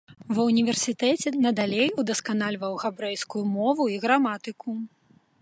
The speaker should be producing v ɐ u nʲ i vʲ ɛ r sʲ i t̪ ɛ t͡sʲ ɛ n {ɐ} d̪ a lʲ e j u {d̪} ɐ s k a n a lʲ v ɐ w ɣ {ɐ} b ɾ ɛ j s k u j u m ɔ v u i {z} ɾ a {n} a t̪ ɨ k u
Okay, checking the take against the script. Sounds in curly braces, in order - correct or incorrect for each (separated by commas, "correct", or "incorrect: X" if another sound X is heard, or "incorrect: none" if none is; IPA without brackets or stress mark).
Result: correct, correct, incorrect: a, incorrect: ɣ, incorrect: m